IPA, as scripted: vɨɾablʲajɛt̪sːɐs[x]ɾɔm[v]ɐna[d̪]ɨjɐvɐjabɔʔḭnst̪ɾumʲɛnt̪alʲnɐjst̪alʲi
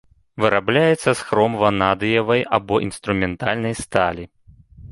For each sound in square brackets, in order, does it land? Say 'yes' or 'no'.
yes, yes, yes

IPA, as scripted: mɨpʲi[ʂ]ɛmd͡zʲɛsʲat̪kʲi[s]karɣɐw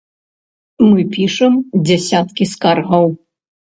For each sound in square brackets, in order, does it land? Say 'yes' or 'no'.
yes, yes

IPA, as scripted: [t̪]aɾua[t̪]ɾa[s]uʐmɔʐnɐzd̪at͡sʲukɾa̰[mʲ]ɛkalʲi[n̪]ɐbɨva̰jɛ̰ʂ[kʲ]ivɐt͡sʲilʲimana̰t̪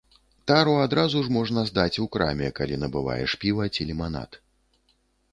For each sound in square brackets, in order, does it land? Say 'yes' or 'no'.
yes, no, no, yes, yes, no

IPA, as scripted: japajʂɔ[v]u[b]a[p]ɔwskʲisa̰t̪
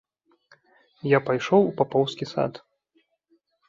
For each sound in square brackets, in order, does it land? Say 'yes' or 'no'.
no, no, yes

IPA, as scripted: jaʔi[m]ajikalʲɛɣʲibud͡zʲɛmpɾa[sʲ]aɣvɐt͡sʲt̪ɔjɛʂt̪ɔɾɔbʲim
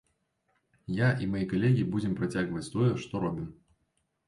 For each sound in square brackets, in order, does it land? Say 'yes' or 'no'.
yes, no

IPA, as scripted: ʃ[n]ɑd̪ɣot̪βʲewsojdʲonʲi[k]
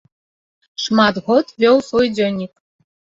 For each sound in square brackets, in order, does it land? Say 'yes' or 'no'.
no, yes

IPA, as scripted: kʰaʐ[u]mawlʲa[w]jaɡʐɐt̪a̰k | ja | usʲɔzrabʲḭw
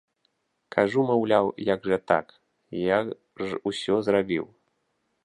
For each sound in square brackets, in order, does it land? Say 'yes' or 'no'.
yes, yes

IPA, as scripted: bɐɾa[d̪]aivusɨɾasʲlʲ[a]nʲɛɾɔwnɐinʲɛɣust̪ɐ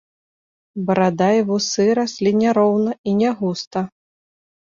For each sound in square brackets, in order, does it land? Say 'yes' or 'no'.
yes, no

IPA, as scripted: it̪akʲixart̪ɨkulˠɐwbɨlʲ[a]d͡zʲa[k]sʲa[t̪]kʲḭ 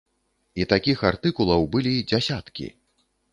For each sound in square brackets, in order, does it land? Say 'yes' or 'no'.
no, no, yes

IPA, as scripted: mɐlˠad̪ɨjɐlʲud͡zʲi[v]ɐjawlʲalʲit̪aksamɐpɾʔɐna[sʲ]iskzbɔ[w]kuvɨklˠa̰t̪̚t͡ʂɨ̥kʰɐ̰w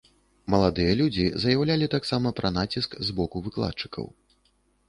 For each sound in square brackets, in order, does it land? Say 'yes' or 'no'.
no, no, no

